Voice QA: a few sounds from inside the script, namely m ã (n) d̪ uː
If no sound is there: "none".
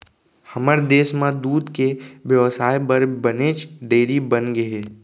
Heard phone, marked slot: none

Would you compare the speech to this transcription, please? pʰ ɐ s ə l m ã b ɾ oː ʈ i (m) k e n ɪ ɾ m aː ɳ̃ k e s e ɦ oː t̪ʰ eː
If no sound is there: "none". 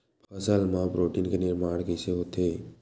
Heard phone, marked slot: n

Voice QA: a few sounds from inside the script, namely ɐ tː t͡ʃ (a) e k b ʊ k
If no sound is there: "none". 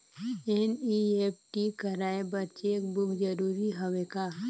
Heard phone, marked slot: e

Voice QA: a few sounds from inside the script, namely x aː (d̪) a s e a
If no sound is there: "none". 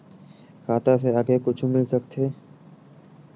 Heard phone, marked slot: t̪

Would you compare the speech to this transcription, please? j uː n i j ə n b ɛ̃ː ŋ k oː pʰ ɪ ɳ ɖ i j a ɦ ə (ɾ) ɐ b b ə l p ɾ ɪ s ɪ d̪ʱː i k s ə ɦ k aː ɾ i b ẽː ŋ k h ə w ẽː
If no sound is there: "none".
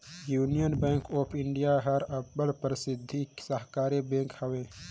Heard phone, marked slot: ɾ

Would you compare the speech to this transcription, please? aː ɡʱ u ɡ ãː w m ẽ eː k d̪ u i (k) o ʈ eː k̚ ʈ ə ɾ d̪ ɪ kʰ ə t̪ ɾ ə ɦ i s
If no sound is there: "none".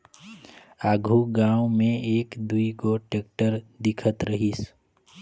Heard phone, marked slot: ɡ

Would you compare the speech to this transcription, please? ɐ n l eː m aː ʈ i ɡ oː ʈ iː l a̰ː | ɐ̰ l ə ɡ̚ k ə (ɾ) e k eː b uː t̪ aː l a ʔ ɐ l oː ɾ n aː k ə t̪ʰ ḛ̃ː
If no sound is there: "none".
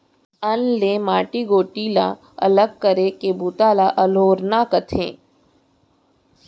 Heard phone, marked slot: ɾ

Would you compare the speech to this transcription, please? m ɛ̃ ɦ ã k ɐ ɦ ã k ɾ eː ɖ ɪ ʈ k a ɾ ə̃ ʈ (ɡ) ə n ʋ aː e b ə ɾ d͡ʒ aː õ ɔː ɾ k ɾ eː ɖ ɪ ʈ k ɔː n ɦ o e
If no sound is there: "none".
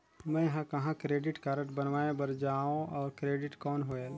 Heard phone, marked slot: b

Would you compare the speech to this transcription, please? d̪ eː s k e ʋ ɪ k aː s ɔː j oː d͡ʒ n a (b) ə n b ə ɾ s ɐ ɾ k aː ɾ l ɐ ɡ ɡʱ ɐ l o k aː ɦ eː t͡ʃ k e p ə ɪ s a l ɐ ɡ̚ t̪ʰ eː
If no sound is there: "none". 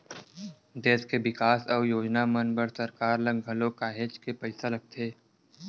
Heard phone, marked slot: m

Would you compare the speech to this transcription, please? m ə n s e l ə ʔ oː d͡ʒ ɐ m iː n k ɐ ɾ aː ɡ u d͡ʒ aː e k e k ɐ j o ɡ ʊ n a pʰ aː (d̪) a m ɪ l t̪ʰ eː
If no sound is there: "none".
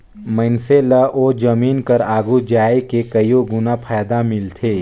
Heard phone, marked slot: d̪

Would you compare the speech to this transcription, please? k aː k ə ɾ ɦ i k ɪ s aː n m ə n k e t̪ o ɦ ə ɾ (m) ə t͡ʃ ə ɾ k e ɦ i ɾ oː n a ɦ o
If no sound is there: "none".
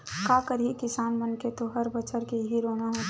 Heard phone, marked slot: b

